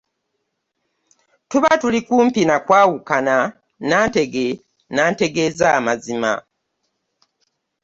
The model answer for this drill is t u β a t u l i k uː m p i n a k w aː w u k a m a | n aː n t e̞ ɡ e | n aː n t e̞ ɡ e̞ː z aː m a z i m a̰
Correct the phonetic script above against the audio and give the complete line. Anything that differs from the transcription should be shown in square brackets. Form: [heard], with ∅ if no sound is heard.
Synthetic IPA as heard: t u β a t u l i k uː m p i n a k w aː w u k a [n] a | n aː n t e̞ ɡ e | n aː n t e̞ ɡ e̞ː z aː m a z i m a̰